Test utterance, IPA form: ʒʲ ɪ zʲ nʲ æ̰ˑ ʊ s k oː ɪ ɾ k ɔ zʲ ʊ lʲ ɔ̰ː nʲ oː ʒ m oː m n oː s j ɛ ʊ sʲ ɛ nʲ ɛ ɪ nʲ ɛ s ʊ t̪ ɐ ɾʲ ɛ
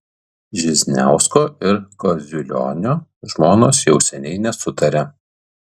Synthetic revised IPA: ʒʲ ɪ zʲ nʲ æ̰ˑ ʊ s k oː ɪ ɾ k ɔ zʲ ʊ lʲ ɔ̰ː nʲ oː ʒ m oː n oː s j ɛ ʊ sʲ ɛ nʲ ɛ ɪ nʲ ɛ s ʊ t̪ ɐ ɾʲ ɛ